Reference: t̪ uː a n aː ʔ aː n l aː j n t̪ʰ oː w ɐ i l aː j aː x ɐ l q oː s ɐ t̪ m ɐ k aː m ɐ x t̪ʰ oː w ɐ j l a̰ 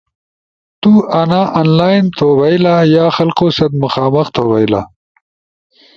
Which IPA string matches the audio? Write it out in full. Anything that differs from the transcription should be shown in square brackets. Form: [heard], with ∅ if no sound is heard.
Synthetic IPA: t̪ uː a n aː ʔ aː n l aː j n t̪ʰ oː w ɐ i l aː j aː x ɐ l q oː s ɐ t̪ m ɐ [x] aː m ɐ x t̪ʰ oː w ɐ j l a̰